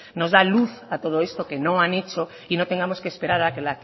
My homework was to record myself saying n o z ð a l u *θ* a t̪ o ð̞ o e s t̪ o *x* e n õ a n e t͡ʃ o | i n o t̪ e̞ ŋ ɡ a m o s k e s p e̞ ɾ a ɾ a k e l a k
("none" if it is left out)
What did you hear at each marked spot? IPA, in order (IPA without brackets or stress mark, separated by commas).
θ, k